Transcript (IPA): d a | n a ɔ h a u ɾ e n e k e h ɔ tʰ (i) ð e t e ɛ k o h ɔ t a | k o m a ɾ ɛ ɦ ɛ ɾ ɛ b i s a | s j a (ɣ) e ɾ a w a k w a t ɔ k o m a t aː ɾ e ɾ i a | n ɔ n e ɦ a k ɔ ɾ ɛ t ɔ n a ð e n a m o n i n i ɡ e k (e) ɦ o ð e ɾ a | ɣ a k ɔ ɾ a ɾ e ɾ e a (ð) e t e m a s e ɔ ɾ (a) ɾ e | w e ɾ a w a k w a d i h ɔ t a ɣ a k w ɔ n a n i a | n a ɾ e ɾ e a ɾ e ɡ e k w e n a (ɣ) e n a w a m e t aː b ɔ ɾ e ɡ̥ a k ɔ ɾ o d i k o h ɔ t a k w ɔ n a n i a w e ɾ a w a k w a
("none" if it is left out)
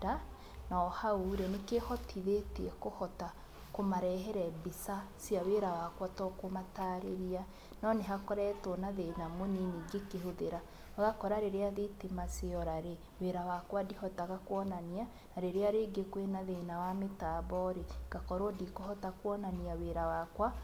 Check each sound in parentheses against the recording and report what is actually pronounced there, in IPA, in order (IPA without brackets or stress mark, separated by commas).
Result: i, w, e, ð, a, ð